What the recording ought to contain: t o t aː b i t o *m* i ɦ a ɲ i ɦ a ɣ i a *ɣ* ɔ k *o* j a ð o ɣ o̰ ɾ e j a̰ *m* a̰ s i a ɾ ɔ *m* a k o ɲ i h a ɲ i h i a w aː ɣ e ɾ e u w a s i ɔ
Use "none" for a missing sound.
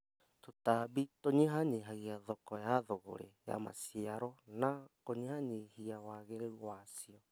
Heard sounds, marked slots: ɲ, ð, ɔ, m, n

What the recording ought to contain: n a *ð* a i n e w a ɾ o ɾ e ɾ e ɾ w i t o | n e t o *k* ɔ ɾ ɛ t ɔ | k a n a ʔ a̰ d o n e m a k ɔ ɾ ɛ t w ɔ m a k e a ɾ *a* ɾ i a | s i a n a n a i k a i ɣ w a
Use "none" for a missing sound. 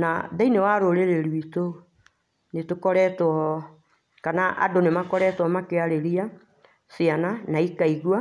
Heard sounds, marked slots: ð, k, e

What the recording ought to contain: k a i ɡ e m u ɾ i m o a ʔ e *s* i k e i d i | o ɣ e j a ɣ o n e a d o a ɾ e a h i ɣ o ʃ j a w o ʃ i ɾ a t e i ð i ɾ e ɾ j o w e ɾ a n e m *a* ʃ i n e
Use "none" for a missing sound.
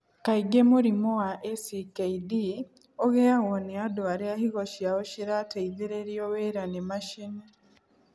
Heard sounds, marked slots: s, a

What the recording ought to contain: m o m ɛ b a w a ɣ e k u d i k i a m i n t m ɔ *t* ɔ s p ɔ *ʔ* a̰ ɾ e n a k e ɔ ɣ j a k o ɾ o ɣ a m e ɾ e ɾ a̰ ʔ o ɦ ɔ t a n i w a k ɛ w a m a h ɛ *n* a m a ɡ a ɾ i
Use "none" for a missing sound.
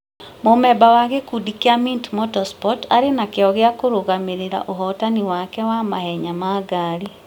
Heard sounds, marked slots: t, t, ɲ

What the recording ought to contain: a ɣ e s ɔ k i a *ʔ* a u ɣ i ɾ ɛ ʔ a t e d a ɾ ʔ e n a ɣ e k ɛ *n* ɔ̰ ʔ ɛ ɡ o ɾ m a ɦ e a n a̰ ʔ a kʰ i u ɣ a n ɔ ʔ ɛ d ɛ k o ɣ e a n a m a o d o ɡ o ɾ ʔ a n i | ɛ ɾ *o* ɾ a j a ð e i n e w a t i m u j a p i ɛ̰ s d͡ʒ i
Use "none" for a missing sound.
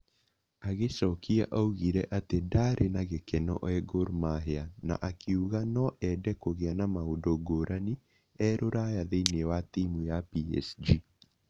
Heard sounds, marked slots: ʔ, n, o

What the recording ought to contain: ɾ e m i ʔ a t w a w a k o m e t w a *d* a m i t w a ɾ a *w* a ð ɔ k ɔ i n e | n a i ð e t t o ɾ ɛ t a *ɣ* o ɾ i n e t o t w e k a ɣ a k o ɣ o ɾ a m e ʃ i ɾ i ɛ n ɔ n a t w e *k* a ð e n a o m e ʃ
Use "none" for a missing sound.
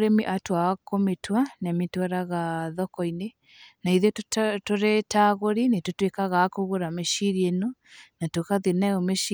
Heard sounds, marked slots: n, ɣ, ɣ, k

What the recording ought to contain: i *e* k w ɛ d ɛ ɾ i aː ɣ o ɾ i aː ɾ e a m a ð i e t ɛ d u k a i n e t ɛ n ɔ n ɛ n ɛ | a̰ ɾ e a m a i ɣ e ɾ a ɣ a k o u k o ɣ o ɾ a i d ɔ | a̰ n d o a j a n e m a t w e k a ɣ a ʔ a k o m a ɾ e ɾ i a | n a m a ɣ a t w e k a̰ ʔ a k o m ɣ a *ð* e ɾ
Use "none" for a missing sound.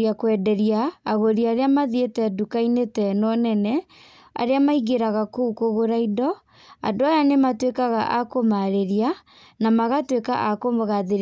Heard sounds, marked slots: a, ð

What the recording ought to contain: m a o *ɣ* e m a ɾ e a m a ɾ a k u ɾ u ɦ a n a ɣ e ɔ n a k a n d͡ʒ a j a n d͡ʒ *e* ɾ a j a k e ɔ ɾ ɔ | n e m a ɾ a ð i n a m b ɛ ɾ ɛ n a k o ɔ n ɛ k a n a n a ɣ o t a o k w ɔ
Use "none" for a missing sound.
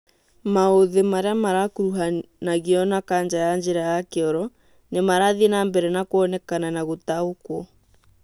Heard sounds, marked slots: ð, e

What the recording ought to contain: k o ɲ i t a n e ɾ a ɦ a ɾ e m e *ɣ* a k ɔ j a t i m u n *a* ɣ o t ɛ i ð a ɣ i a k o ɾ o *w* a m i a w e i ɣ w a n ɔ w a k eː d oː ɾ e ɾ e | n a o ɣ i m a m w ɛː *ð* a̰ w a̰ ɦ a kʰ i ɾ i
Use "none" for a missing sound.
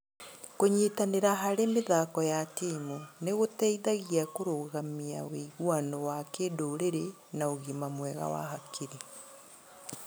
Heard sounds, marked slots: ð, e, ɣ, ɣ

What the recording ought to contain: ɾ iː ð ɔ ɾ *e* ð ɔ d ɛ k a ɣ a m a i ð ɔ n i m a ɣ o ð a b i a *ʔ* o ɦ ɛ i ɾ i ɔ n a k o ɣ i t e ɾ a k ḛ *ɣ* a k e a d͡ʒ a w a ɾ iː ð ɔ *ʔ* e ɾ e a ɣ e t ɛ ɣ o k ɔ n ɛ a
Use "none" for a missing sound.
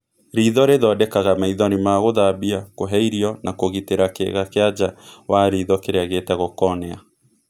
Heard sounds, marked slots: e, k, ɣ, k

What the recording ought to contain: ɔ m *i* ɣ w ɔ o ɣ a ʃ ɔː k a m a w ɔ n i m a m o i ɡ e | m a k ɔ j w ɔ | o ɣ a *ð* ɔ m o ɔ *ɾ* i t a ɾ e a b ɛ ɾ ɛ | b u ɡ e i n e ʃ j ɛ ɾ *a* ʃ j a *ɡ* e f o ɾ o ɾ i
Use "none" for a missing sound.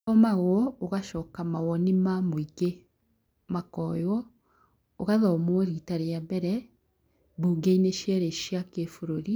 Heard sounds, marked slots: a, ð, ɾ, e, k

